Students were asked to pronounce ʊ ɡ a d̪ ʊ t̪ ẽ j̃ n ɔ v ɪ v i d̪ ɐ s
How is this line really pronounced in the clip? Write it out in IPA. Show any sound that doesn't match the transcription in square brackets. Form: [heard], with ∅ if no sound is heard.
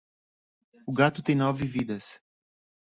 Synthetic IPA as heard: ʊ ɡ a [t̪] ʊ t̪ ẽ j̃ n ɔ v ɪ v i d̪ ɐ s